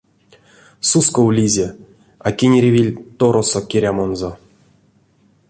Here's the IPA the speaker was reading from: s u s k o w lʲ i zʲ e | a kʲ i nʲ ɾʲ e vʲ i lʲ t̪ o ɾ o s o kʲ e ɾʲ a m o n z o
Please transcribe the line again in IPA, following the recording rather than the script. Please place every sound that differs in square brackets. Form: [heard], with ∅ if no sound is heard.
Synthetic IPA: s u s k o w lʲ i zʲ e | a kʲ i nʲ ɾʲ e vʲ i lʲ t̪ o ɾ o s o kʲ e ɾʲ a m o n z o